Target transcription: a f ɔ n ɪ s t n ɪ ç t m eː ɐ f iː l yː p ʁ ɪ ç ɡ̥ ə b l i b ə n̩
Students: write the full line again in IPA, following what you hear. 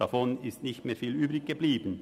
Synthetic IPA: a f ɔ n ɪ s t n ɪ ç t m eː ɐ f iː l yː b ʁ ɪ ç ɡ̥ ə b l iː b ə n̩